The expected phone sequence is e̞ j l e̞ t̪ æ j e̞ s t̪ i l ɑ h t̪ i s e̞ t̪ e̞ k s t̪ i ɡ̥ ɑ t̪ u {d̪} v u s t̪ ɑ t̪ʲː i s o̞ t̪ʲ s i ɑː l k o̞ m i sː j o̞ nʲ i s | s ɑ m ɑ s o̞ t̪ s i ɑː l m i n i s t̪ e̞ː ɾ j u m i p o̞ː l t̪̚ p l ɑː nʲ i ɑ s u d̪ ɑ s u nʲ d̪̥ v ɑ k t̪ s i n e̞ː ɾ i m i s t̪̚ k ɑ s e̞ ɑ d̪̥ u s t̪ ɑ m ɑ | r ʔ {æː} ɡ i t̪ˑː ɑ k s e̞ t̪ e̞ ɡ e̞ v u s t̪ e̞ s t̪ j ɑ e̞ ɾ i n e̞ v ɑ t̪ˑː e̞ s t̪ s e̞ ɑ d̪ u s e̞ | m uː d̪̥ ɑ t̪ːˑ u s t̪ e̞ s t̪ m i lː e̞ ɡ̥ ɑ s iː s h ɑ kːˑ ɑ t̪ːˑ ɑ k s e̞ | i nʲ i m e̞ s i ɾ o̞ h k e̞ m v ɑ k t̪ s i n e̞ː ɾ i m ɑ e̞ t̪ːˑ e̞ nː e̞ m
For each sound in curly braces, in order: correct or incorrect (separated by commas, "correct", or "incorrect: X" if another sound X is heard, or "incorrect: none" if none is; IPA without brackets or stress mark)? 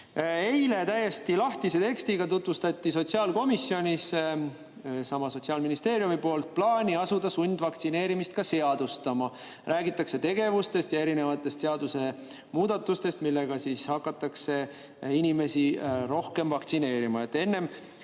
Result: incorrect: t̪, correct